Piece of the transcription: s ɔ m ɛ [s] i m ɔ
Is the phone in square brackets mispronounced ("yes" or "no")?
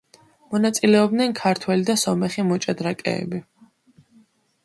yes